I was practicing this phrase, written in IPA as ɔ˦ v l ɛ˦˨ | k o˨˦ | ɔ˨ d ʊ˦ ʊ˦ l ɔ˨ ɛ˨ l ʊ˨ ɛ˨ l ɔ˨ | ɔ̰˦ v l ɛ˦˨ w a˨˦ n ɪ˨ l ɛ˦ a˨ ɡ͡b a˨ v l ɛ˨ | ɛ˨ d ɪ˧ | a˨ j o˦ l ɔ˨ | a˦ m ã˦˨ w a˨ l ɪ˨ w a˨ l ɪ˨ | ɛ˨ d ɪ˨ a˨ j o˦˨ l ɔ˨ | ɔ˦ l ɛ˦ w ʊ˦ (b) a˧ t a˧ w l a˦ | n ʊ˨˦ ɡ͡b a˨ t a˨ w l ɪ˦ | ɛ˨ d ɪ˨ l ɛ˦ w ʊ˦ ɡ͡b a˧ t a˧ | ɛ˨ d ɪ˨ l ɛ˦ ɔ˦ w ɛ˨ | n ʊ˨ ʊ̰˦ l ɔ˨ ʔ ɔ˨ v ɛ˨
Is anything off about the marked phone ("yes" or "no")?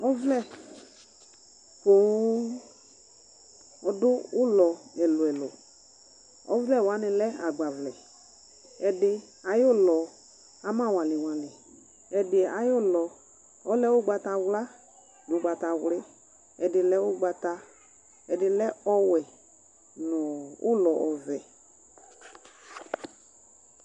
yes